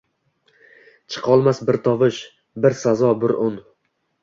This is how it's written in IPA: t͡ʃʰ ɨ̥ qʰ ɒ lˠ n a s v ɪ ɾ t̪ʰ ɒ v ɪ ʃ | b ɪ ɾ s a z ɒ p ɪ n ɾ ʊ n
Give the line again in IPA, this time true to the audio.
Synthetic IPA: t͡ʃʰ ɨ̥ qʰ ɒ lˠ m a s b ɪ ɾ t̪ʰ ɒ v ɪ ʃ | b ɪ ɾ s a z ɒ b ɪ ɾ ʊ n